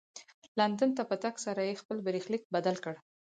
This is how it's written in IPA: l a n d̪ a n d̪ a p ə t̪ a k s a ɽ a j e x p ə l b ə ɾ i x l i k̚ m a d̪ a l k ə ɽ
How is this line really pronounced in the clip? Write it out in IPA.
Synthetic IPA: l a n d̪ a n t̪ a p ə t̪ a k s a ɾ a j e x p ə l b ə ɾ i x l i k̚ b a d̪ a l k ə ɽ